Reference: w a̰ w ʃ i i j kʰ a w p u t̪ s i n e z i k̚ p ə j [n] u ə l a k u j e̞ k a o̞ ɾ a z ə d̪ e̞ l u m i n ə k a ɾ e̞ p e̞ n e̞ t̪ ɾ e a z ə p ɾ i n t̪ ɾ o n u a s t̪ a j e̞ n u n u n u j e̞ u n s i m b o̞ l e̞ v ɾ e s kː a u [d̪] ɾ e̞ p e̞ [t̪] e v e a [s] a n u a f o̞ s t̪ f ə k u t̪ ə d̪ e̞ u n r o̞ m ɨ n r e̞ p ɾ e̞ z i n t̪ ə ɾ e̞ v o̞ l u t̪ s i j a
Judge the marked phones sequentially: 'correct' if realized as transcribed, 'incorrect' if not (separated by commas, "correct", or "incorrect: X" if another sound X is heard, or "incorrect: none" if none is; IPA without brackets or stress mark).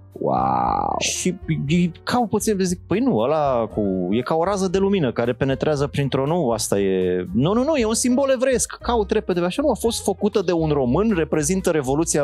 correct, incorrect: t̪, incorrect: d̪, incorrect: ʃ